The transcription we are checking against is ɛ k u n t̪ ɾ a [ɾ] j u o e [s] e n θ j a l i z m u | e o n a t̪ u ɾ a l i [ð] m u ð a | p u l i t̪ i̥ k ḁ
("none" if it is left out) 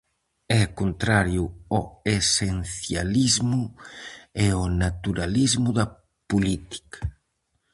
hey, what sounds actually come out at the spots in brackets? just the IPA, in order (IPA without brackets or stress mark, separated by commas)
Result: ɾ, s, z